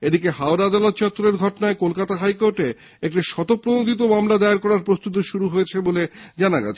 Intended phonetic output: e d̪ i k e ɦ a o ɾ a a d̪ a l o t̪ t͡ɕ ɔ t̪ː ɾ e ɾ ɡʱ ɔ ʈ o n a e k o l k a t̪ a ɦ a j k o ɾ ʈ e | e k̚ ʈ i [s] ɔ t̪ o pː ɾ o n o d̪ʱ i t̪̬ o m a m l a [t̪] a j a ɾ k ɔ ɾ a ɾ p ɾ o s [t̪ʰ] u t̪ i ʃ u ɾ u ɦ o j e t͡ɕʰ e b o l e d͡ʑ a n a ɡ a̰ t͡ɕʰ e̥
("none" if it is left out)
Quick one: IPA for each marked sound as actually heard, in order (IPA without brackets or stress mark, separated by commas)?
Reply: ʃ, d̪, t̪